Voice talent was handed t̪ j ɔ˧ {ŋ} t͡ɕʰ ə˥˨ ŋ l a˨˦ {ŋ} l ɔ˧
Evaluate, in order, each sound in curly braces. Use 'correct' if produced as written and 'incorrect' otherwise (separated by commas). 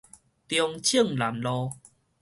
correct, incorrect